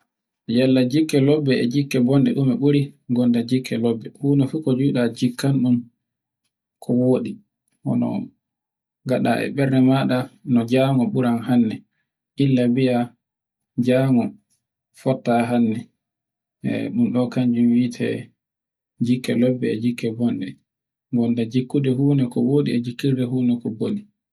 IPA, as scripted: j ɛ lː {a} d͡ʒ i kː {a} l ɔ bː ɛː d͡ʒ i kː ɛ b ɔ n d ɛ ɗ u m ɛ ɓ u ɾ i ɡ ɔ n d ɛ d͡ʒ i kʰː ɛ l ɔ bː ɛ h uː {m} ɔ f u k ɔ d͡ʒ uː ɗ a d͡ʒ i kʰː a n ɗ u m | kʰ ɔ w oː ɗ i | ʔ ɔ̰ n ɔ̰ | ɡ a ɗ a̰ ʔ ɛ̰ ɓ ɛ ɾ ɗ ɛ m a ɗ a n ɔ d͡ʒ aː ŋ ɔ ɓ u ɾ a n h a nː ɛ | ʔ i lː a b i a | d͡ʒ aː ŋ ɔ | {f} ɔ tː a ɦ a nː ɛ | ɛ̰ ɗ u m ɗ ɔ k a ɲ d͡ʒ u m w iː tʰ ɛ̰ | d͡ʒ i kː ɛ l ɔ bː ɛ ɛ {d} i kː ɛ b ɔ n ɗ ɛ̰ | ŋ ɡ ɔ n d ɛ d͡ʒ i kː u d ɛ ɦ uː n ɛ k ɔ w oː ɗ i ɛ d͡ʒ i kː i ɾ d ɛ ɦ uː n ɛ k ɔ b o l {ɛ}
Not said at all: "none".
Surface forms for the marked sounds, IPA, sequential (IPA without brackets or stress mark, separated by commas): a, ɛ, n, f, d͡ʒ, i